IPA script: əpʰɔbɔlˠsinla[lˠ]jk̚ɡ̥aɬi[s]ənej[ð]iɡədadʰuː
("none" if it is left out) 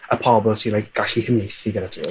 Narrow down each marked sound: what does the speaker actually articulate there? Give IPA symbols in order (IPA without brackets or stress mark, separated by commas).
none, h, θ